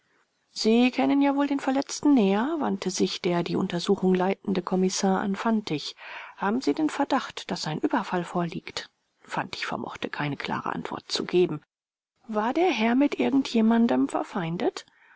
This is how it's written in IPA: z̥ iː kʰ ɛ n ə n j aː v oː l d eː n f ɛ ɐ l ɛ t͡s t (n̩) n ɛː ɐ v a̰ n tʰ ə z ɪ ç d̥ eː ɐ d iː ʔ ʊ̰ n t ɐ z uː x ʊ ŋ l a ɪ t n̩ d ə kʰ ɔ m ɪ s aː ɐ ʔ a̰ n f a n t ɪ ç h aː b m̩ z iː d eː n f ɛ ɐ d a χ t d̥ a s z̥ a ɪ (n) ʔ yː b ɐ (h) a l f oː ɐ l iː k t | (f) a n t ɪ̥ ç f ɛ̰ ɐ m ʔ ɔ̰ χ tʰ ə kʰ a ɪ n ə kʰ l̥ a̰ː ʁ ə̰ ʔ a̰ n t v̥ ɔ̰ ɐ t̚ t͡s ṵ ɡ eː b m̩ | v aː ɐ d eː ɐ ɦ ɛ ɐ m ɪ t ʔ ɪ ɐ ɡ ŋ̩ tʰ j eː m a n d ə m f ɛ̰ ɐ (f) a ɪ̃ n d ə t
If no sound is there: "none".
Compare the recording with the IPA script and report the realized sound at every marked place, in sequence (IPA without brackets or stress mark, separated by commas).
n̩, n, f, f, f